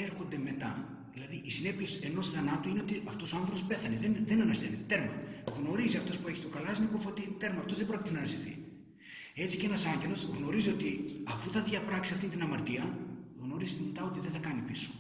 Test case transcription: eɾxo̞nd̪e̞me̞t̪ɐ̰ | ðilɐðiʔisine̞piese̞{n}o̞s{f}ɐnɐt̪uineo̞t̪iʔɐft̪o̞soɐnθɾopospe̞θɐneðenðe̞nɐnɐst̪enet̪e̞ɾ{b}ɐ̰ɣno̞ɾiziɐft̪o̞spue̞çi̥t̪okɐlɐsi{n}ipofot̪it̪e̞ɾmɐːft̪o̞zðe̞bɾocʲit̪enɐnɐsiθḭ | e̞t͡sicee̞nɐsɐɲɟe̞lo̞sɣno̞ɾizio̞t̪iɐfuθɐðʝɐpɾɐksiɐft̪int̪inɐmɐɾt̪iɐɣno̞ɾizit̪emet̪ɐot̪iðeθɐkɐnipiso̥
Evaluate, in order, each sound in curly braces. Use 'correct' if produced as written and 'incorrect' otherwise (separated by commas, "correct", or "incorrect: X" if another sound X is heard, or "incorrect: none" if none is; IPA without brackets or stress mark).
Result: correct, incorrect: θ, incorrect: m, correct